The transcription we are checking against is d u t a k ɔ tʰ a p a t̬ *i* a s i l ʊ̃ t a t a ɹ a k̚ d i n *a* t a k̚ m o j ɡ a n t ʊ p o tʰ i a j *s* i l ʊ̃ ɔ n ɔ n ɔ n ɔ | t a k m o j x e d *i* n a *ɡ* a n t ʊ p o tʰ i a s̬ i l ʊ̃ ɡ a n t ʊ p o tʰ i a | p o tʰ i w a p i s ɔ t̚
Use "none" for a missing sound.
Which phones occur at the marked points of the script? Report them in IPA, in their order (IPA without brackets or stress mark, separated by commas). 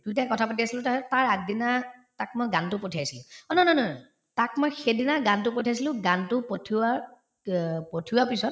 i, a, s, i, ɡ